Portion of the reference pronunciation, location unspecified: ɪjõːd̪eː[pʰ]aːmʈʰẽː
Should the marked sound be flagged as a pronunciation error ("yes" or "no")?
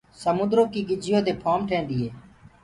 no